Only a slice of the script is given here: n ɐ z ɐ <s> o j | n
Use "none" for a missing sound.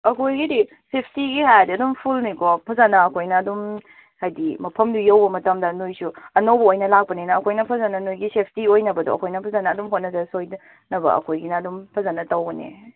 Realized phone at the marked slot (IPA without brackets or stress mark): s